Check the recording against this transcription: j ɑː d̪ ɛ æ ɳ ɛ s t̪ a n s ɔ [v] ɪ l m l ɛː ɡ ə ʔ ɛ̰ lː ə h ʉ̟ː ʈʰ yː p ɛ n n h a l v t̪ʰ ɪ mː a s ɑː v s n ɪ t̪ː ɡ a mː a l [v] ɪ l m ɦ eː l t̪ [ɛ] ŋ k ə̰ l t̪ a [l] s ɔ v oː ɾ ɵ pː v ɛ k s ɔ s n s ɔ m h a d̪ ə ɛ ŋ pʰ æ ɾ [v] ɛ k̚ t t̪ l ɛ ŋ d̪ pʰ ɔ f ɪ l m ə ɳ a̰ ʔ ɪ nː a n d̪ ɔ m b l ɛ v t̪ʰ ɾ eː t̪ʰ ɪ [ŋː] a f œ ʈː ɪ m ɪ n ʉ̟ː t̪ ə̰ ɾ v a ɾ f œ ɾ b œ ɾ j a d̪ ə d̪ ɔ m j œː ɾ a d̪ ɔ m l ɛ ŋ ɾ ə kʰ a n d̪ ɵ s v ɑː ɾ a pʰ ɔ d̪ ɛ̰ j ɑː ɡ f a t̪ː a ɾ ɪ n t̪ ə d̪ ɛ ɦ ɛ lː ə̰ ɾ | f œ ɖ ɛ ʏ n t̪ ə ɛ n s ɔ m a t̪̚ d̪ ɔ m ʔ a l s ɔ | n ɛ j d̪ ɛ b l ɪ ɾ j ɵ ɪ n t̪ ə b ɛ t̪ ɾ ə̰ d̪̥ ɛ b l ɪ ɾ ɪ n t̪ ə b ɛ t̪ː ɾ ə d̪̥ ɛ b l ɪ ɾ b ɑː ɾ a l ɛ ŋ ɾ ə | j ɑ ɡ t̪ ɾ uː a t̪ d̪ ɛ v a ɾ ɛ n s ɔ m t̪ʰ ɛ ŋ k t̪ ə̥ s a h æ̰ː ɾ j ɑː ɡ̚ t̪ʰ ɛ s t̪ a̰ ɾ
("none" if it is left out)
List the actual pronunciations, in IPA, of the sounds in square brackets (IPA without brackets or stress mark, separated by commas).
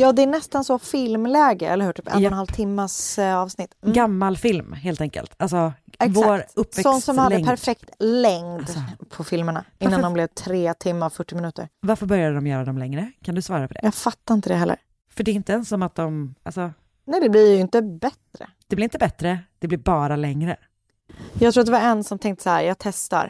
f, f, ɛ, l, f, mː